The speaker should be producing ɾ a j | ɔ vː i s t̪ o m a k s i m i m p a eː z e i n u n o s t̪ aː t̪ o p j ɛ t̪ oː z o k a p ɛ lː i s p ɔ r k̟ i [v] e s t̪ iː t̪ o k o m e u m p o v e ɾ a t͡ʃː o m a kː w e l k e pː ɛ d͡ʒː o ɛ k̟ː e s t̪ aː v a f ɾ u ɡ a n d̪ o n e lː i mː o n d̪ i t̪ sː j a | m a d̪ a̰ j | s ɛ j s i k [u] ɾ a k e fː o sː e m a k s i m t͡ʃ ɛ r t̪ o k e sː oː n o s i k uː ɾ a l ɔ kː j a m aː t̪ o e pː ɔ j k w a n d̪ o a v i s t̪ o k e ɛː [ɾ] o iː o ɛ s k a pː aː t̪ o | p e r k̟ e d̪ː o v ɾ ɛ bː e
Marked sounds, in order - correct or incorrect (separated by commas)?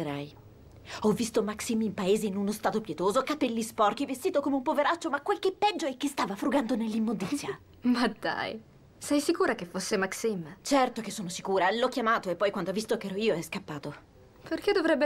correct, incorrect, correct